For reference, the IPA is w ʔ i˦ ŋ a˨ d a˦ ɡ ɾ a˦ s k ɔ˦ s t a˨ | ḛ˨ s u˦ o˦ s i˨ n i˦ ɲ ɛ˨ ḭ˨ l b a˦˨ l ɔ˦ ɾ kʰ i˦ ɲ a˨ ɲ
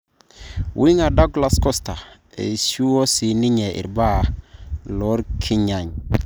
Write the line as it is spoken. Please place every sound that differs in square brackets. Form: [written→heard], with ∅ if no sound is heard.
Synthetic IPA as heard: w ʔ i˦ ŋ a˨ d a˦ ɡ [ɾ→l] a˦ s k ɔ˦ s t a˨ | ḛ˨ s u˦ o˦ s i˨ n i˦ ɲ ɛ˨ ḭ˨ [l→ɾ] b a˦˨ l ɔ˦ ɾ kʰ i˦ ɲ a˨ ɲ